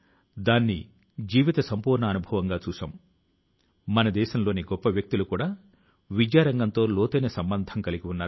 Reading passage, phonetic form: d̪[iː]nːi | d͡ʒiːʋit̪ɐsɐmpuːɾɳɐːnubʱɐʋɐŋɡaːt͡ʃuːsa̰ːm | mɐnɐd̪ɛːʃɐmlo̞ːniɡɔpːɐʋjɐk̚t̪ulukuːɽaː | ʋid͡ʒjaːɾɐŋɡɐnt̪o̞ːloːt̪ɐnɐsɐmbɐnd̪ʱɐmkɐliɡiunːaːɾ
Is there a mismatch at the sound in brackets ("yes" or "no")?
yes